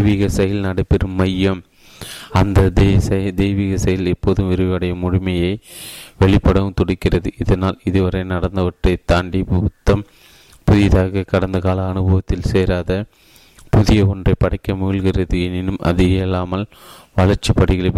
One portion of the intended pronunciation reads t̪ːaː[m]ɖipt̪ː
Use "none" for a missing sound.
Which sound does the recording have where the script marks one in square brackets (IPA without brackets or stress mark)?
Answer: ɳ